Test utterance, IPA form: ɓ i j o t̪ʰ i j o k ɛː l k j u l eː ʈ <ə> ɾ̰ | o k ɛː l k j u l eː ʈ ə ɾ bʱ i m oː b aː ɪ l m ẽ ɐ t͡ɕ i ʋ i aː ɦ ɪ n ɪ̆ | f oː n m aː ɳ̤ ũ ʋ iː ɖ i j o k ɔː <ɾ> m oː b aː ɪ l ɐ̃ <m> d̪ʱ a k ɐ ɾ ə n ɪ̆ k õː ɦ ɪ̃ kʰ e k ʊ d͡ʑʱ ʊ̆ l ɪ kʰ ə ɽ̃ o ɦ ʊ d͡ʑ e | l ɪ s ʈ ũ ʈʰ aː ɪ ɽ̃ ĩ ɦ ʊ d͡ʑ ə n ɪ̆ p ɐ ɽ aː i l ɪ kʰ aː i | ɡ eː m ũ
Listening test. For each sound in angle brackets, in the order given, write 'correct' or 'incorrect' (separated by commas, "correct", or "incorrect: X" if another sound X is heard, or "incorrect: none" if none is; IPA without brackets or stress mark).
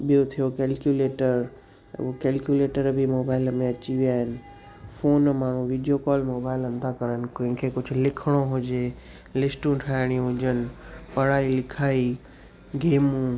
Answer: correct, incorrect: l, incorrect: n